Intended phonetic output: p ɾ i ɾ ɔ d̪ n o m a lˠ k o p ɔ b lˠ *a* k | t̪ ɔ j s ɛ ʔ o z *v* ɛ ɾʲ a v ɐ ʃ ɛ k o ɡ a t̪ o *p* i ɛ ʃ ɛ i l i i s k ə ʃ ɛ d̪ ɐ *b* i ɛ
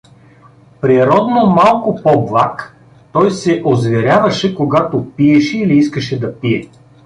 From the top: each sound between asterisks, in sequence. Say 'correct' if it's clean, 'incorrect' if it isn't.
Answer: correct, correct, correct, incorrect

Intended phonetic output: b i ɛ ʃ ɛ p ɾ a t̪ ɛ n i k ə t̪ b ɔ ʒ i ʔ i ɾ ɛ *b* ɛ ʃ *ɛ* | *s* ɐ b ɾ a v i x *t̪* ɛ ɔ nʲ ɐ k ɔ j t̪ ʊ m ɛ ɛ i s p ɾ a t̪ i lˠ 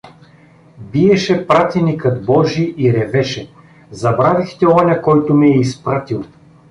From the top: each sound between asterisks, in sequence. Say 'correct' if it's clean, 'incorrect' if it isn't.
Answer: incorrect, correct, incorrect, correct

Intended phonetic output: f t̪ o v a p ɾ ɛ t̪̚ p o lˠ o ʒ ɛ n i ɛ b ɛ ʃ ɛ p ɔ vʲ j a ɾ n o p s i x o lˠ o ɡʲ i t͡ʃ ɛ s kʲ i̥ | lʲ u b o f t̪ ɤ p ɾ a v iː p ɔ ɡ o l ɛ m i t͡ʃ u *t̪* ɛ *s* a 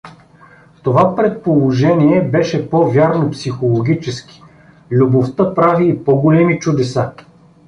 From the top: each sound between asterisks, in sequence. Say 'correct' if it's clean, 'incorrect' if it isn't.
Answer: incorrect, correct

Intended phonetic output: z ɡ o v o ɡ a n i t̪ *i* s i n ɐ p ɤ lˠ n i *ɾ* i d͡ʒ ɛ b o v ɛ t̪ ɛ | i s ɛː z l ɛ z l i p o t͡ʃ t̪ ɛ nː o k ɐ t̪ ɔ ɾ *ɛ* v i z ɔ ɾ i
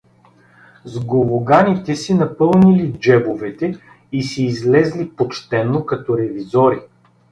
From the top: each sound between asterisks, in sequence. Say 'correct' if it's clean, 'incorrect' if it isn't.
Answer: incorrect, incorrect, correct

